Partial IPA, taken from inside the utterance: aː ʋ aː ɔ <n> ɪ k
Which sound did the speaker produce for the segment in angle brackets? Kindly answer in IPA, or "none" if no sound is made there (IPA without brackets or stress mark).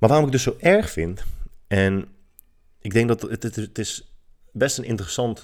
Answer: m